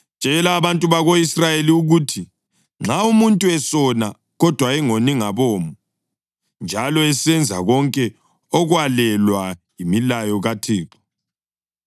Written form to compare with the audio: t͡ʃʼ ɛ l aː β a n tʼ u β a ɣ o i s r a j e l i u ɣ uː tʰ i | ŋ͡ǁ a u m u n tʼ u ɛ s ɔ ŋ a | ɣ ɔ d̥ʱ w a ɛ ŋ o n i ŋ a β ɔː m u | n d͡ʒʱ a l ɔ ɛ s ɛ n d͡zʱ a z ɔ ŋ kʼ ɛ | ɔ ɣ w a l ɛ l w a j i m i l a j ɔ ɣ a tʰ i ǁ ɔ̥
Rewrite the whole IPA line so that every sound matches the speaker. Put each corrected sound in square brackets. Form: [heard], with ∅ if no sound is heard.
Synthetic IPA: t͡ʃʼ ɛ l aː β a n tʼ u β a ɣ o i s r a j e l i u ɣ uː tʰ i | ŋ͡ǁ a u m u n tʼ u ɛ s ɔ [n] a | ɣ ɔ d̥ʱ w a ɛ ŋ o n i ŋ a β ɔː m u | n d͡ʒʱ a l ɔ ɛ s ɛ n d͡zʱ a [ɣ] ɔ ŋ kʼ ɛ | ɔ ɣ w a l ɛ l w a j i m i l a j ɔ ɣ a tʰ [iː] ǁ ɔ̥